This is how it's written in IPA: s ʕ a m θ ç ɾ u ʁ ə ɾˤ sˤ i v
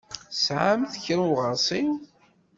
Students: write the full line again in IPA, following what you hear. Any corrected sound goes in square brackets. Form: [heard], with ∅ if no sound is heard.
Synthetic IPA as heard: s ʕ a m θ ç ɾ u ʁ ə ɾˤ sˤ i [w]